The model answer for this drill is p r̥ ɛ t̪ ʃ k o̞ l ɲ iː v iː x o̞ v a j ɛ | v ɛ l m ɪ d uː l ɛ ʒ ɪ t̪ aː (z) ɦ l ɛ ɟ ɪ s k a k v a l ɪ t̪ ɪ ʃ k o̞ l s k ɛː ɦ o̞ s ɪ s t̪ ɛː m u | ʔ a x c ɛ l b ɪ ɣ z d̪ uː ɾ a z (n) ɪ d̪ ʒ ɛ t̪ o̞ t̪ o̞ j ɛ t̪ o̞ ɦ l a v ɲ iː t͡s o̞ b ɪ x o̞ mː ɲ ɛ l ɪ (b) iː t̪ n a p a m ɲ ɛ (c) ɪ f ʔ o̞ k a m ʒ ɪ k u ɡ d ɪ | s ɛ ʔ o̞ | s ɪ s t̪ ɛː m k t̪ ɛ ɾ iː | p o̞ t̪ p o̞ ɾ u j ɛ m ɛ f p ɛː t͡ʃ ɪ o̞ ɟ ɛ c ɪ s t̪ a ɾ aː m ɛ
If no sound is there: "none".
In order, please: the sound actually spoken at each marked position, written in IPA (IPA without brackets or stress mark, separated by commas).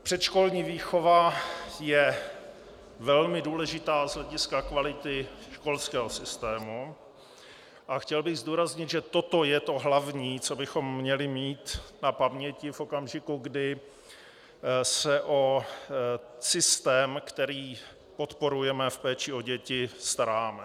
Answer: z, ɲ, m, c